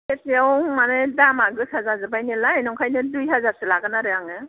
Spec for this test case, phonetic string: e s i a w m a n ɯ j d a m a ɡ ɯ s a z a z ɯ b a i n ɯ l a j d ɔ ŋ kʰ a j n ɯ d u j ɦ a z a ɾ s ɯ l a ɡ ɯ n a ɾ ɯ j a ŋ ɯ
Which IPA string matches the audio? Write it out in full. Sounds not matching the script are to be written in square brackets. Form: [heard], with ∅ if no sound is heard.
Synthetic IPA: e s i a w m a n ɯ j d a m a ɡ ɯ s a z a z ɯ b a [j] n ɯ l a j [n] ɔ ŋ kʰ a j n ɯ d u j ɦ a z a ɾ s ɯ l a ɡ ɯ n a ɾ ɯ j a ŋ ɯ